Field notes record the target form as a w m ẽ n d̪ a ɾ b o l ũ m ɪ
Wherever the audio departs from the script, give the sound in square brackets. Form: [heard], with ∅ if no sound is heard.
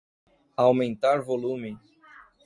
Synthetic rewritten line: a w m ẽ n [t̪] a ɾ [v] o l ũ m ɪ